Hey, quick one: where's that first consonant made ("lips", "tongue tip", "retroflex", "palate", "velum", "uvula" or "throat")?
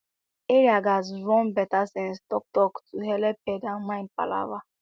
tongue tip